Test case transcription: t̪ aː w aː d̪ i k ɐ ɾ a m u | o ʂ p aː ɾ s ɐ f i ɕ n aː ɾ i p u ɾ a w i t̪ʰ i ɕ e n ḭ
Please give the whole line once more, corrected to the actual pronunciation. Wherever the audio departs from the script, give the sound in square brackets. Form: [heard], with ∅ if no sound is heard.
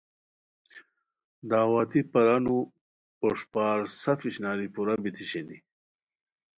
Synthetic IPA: [d̪] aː w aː [t̪] i [p] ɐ ɾ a [n] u | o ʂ p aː ɾ s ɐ f i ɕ n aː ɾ i p u ɾ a [b] i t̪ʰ i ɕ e n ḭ